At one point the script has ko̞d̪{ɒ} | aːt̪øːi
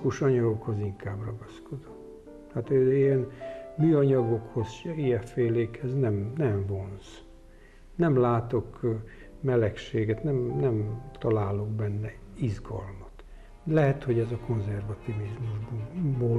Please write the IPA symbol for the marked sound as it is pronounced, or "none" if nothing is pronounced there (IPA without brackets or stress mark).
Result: o